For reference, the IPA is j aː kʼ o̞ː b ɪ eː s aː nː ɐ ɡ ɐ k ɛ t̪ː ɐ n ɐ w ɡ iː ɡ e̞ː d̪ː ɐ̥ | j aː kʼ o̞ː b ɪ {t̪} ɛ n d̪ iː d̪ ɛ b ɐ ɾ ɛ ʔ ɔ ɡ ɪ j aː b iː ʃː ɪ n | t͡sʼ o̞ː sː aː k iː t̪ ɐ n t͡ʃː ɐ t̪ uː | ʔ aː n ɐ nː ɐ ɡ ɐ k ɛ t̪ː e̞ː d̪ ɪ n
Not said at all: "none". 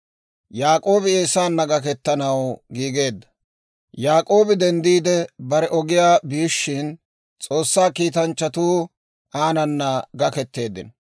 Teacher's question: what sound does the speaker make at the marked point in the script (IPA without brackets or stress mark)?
d̪